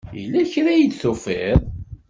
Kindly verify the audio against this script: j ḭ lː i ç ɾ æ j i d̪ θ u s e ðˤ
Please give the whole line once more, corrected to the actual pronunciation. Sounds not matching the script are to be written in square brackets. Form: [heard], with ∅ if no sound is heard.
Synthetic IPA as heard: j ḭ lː [æ] ç ɾ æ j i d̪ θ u [f] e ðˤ